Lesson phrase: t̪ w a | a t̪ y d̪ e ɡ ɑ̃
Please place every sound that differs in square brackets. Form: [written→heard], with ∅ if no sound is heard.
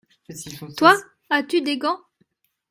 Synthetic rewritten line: t̪ w a | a t̪ y d̪ e ɡ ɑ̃